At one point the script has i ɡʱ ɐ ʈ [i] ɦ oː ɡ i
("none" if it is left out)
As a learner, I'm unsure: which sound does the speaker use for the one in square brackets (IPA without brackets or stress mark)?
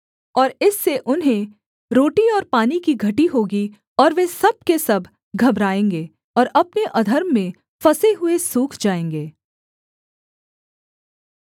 i